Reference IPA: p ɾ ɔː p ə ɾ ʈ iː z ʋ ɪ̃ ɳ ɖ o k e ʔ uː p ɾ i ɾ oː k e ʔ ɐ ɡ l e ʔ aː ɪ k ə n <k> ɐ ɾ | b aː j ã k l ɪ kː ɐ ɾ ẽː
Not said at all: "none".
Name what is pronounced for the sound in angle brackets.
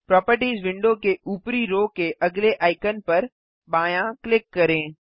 p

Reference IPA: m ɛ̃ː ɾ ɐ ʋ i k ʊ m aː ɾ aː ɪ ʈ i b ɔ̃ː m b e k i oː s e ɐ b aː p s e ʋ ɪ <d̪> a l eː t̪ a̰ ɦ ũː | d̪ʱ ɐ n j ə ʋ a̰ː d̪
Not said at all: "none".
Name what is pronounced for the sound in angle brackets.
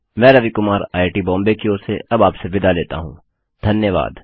d̪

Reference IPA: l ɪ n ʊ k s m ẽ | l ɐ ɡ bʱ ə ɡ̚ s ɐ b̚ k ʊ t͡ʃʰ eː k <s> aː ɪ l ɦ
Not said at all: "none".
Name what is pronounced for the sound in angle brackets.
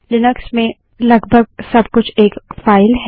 f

